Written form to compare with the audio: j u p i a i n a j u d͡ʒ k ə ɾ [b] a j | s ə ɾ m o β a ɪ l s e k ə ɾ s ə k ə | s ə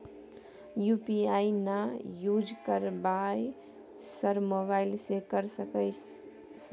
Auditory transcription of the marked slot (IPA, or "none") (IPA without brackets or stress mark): b